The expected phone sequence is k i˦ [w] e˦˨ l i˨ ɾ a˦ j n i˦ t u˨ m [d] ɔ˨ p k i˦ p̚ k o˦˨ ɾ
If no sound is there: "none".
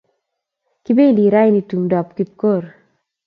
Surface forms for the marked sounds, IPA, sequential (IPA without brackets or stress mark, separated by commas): b, d